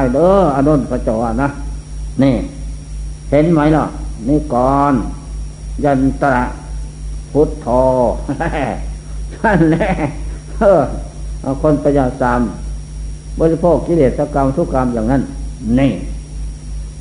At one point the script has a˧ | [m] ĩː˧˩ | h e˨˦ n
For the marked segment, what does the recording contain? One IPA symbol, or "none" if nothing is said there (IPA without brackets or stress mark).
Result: n